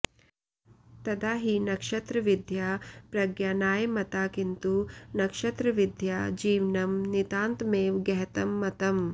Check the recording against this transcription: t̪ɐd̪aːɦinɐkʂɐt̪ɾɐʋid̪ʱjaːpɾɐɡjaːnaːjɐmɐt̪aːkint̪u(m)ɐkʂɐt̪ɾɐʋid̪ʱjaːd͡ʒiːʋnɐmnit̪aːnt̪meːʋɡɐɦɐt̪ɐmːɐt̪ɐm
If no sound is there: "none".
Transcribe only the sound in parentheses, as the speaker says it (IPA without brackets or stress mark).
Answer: n